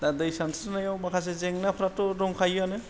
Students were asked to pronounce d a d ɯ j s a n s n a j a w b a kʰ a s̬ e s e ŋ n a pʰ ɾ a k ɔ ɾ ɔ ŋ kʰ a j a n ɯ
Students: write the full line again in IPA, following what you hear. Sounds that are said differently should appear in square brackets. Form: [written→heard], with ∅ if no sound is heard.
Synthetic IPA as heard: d a d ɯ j s a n s n a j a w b a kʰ a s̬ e [s→z] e ŋ n a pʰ ɾ a [k→t] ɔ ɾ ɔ ŋ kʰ a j a n ɯ